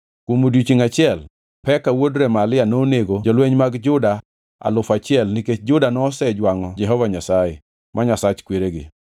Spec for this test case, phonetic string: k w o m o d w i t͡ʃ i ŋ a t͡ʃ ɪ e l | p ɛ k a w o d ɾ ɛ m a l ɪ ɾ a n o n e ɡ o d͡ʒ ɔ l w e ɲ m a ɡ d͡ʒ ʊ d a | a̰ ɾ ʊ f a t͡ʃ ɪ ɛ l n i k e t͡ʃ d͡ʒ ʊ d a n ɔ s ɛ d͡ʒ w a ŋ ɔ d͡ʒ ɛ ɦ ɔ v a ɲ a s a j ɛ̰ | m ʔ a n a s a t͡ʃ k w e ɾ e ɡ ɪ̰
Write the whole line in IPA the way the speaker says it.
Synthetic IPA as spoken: k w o m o d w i t͡ʃ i ŋ a t͡ʃ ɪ ɛ l | p ɛ k a w o d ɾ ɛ m a l ɪ a n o n e ɡ o d͡ʒ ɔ l w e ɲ m a ɡ d͡ʒ ʊ d a | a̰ l ʊ f a t͡ʃ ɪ ɛ l n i k e t͡ʃ d͡ʒ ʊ d a n ɔ s ɛ d͡ʒ w a ŋ ɔ d͡ʒ ɛ ɦ ɔ v a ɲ a s a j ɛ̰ | m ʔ a ɲ a s a t͡ʃ k w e ɾ e ɡ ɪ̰